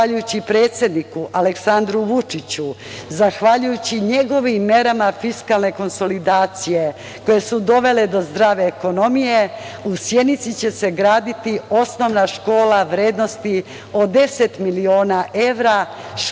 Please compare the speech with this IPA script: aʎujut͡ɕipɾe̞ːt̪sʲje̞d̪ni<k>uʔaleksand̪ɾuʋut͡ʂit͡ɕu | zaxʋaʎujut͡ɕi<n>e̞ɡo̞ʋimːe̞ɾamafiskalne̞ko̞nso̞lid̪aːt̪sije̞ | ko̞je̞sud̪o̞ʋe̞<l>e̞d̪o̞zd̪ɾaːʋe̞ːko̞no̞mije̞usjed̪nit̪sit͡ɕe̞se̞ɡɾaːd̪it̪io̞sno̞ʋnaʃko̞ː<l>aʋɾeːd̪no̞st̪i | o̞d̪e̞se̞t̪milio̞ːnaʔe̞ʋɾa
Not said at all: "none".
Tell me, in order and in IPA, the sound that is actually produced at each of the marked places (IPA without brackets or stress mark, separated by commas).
k, ɲ, l, l